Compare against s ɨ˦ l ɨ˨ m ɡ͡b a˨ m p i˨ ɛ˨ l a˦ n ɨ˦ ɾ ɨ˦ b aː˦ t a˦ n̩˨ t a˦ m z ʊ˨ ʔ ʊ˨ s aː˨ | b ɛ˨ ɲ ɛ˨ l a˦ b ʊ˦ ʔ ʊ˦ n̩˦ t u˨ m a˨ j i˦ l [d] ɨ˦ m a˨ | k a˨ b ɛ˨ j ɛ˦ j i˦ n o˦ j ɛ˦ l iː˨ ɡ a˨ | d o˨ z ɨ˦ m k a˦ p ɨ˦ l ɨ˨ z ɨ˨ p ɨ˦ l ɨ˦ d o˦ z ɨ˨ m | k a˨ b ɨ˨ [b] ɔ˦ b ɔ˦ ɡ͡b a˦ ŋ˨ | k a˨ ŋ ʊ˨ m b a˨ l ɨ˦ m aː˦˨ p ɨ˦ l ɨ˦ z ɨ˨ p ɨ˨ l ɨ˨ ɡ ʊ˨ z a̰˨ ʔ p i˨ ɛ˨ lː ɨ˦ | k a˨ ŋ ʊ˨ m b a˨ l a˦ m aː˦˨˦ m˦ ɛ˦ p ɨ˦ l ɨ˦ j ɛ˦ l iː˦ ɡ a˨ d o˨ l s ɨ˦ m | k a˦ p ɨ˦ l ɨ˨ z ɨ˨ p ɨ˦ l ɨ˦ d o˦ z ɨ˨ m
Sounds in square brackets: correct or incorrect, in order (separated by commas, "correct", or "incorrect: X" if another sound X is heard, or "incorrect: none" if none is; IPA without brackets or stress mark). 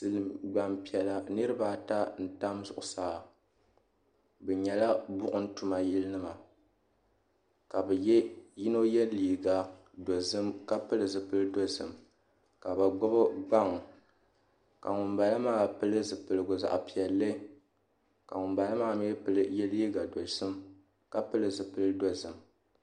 incorrect: n, incorrect: ɡ͡b